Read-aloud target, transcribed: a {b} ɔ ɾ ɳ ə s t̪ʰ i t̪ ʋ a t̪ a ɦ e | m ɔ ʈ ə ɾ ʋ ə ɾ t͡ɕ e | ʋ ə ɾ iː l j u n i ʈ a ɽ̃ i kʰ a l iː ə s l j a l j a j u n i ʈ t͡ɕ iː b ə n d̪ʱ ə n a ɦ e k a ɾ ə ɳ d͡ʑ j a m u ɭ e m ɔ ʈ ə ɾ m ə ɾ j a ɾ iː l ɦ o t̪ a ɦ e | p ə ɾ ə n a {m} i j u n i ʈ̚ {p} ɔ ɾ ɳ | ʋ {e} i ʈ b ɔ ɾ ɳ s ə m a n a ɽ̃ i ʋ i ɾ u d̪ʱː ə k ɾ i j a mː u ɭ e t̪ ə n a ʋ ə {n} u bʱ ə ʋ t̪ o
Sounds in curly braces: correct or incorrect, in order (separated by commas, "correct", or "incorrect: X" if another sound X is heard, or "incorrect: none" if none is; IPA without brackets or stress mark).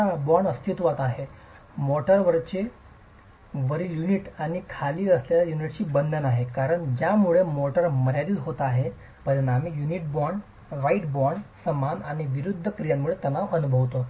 correct, correct, incorrect: b, incorrect: a, correct